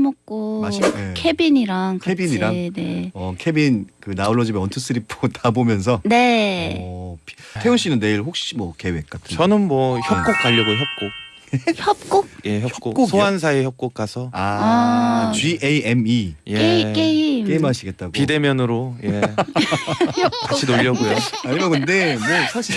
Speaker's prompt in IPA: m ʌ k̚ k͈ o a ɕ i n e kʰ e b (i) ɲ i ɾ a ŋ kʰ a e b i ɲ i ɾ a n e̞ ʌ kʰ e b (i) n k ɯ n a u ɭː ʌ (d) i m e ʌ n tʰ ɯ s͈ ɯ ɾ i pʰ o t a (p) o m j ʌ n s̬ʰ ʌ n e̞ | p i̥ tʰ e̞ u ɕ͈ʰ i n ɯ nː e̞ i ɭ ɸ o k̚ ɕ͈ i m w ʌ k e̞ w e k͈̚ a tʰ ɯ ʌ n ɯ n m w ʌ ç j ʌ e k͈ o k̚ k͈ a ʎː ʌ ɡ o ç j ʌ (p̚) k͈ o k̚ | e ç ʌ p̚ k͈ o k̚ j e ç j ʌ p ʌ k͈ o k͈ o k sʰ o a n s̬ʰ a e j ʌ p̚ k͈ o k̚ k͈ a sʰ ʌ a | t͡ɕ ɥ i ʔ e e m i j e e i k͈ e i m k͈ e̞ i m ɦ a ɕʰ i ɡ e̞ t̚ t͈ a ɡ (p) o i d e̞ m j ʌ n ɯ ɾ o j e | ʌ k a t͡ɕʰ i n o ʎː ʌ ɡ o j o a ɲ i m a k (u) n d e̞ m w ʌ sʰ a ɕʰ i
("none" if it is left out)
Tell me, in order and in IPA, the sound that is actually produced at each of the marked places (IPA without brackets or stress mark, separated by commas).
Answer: i, i, d͡ʑ, b, p̚, p, ɯ